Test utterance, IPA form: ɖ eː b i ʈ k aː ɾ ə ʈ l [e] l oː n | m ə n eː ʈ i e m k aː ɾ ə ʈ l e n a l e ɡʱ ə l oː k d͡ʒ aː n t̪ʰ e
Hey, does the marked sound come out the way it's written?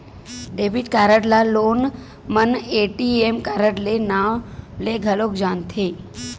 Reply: no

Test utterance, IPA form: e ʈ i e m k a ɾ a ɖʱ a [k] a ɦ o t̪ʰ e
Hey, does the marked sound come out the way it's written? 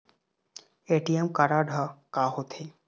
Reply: yes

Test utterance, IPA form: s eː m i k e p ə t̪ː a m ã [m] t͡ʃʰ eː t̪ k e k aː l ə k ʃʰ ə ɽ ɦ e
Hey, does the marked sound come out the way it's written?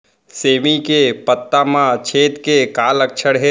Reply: no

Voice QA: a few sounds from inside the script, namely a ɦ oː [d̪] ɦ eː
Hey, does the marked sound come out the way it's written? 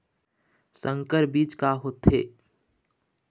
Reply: no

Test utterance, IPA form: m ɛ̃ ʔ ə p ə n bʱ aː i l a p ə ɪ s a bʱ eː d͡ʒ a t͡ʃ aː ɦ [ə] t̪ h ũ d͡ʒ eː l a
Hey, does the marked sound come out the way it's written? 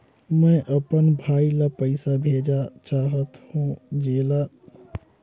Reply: yes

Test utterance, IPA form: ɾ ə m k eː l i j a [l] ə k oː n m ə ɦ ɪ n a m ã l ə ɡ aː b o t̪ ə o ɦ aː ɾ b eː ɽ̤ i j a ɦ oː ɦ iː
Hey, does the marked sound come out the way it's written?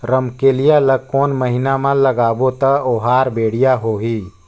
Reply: yes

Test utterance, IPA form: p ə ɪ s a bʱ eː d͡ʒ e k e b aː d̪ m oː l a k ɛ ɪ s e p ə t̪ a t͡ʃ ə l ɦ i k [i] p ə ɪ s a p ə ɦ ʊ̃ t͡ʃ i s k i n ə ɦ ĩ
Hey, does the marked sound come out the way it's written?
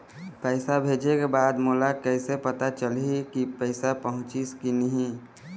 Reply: yes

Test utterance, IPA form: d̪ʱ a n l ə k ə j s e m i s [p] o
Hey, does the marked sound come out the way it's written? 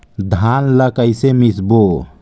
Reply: no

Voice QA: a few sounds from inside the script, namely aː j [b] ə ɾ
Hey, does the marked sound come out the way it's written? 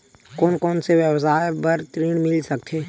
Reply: yes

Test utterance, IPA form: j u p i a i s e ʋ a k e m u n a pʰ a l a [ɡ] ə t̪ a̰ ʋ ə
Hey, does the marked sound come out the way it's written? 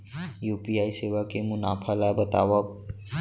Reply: no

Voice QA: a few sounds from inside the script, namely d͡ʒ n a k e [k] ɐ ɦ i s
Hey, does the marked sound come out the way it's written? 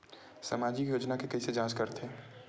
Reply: yes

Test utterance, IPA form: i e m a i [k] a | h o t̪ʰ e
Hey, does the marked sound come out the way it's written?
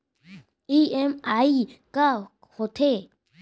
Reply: yes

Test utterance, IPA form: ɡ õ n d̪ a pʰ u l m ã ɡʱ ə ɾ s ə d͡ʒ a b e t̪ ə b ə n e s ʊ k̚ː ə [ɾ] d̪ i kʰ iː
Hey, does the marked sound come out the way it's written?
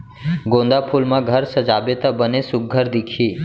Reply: yes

